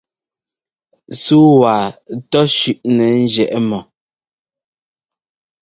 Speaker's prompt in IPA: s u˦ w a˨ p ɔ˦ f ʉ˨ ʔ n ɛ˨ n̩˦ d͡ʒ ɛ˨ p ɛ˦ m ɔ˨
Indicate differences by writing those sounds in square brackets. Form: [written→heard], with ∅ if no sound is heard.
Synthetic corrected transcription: s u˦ w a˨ [p→t] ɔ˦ [f→ʃ] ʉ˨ ʔ n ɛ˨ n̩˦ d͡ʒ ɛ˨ [p→ʔ] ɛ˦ m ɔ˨